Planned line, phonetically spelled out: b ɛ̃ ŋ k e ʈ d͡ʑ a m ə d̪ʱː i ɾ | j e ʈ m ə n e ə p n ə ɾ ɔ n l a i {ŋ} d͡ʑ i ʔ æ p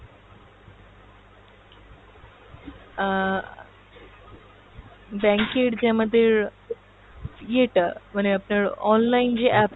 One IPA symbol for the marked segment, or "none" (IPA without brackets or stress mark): n